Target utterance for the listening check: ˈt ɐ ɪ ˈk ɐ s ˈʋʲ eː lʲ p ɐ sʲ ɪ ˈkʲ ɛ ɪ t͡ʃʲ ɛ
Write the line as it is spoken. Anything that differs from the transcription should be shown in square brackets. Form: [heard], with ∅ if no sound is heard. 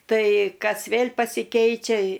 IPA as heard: ˈt ɐ ɪ ˈk ɐ s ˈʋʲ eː lʲ p ɐ sʲ ɪ ˈkʲ ɛ ɪ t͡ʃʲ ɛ